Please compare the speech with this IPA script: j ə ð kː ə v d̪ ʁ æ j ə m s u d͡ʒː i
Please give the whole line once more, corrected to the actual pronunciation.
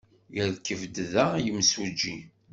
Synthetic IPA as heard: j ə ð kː ə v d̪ ð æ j ə m s u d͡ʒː i